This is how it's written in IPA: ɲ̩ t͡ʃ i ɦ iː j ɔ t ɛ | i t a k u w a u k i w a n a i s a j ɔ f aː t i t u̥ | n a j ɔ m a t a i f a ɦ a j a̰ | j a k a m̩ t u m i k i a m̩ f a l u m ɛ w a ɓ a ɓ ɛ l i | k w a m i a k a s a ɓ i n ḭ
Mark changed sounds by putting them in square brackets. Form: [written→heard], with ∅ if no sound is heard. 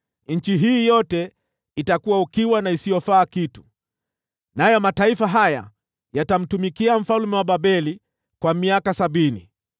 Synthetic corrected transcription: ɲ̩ t͡ʃ i ɦ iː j ɔ t ɛ | i t a k u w a u k i w a n a i s [a→i] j ɔ f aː [t→k] i t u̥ | n a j ɔ m a t a i f a ɦ a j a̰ | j a [k→t] a m̩ t u m i k i a m̩ f a l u m ɛ w a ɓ a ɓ ɛ l i | k w a m i a k a s a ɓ i n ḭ

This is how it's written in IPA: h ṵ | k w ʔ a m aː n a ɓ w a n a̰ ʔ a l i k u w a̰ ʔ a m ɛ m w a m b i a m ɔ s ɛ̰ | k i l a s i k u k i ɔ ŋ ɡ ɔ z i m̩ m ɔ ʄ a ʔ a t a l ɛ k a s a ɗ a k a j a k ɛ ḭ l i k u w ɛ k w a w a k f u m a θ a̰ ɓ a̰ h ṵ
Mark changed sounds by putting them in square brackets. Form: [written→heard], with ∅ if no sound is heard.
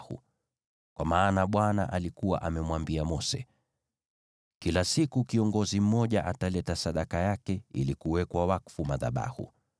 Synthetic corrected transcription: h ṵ | k w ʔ a m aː n a ɓ w a n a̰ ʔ a l i k u w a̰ ʔ a m ɛ m w a m b i a m ɔ s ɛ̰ | k i l a s i k u k i ɔ ŋ ɡ ɔ z i m̩ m ɔ ʄ a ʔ a t a l ɛ [k→t] a s a ɗ a k a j a k ɛ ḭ l i k u w ɛ k w a w a k f u m a [θ→ð] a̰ ɓ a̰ h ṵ

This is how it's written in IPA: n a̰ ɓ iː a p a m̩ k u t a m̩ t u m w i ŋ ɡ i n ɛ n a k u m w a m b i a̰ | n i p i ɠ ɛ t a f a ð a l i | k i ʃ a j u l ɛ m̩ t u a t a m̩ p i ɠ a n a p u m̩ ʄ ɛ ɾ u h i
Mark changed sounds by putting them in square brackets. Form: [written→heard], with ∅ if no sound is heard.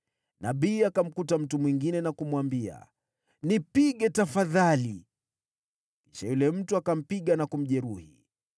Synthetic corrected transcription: n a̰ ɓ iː a [p→k] a m̩ k u t a m̩ t u m w i ŋ ɡ i n ɛ n a k u m w a m b i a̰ | n i p i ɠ ɛ t a f a ð a l i | k i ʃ a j u l ɛ m̩ t u a [t→k] a m̩ p i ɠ a n a [p→k] u m̩ ʄ ɛ ɾ u h i

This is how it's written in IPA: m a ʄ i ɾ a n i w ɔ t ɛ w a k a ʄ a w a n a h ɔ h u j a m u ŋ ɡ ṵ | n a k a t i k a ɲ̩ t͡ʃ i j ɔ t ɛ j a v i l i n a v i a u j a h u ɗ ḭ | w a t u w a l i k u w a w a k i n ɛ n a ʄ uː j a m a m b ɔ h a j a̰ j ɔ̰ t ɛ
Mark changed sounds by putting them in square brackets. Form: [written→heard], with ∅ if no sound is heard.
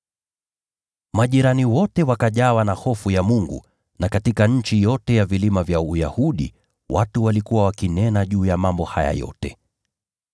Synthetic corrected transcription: m a ʄ i ɾ a n i w ɔ t ɛ w a k a ʄ a w a n a h ɔ [h→f] u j a m u ŋ ɡ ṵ | n a k a t i k a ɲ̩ t͡ʃ i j ɔ t ɛ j a v i l i [n→m] a v [i→j] a u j a h u ɗ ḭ | w a t u w a l i k u w a w a k i n ɛ n a ʄ uː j a m a m b ɔ h a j a̰ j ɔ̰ t ɛ

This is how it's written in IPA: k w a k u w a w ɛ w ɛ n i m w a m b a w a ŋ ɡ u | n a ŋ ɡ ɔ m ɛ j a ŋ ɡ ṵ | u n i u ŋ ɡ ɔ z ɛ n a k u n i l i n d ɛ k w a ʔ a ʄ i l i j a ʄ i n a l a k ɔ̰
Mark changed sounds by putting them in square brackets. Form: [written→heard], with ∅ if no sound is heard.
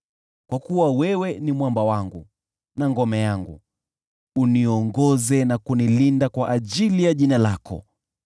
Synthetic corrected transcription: k w a k u w a w ɛ w ɛ n i m w a m b a w a ŋ ɡ u | n a ŋ ɡ ɔ m ɛ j a ŋ ɡ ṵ | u n i [u→ɔ] ŋ ɡ ɔ z ɛ n a k u n i l i n d [ɛ→a] k w a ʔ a ʄ i l i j a ʄ i n a l a k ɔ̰

